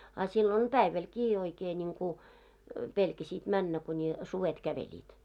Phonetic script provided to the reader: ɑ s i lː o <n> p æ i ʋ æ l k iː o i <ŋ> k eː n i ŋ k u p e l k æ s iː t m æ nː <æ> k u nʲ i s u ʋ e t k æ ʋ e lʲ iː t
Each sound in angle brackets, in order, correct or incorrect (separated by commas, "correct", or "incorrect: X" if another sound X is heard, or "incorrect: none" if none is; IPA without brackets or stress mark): correct, incorrect: none, correct